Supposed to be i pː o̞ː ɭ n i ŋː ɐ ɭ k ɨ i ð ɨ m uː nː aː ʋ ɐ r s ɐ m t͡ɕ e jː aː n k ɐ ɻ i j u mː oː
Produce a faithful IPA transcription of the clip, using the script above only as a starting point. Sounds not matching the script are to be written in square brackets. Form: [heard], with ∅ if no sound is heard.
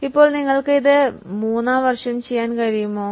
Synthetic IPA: i pː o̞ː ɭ n i ŋː ɐ ɭ k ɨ i ð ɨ m uː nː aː ʋ ɐ r [ʂ] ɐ m t͡ɕ e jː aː n k ɐ ɻ i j u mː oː